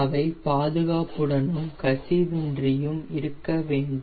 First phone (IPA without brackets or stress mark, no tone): ɐ